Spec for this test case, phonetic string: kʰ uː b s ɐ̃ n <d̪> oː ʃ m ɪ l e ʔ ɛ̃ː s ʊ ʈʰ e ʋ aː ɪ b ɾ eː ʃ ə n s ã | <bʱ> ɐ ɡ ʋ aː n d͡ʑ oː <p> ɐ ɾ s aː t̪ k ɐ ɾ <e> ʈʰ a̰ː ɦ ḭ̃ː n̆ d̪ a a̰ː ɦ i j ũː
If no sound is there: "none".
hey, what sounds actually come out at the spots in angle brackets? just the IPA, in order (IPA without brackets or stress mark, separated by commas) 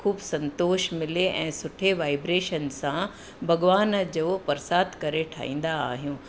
t̪, bʱ, p, e